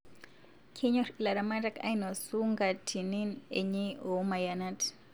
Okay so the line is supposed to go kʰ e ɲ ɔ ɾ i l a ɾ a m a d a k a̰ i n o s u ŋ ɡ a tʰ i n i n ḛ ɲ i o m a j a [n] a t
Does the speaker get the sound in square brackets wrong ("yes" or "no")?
no